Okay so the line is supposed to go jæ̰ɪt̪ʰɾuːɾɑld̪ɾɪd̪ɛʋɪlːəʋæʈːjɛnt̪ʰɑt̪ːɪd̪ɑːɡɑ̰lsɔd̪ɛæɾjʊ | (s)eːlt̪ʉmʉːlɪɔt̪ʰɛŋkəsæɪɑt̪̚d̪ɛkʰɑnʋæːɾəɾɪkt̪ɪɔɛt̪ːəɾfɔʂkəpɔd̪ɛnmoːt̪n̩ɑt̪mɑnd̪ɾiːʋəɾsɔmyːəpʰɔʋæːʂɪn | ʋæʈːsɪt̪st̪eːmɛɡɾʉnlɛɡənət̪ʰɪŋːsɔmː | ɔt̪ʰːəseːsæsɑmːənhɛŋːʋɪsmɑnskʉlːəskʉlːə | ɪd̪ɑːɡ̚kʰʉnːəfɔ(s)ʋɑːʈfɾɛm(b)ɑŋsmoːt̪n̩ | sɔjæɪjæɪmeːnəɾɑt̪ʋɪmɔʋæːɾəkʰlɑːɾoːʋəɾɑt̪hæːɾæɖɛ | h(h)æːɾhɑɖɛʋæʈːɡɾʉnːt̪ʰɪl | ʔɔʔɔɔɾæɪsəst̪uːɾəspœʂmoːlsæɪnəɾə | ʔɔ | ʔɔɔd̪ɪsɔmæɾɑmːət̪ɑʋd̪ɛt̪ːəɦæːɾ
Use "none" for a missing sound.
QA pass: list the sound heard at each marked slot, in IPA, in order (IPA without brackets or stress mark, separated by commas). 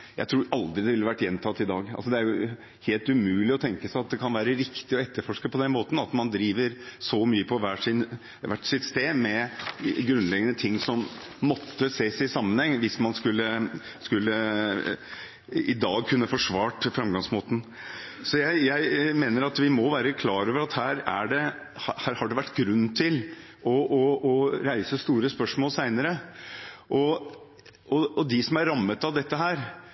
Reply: h, ʂ, ɡ, h